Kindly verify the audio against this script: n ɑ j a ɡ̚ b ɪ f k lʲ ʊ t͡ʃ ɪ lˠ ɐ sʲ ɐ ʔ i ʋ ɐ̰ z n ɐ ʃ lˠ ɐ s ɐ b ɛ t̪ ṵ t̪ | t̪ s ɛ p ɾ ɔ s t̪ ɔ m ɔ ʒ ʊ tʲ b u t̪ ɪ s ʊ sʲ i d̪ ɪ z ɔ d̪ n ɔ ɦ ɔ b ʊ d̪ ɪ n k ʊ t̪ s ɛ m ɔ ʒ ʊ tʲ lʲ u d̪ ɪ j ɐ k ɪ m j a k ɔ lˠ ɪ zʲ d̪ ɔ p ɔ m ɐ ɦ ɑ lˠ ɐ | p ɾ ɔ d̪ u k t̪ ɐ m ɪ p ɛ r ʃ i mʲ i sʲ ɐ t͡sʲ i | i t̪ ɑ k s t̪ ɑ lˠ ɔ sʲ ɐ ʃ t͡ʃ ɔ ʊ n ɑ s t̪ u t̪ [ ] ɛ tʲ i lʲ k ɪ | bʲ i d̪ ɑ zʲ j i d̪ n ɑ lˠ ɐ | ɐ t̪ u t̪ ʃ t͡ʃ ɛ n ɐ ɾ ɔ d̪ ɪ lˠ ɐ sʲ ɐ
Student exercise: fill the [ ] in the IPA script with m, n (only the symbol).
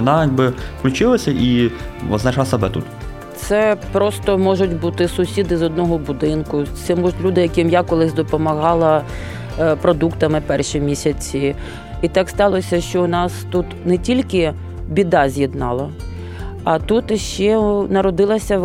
n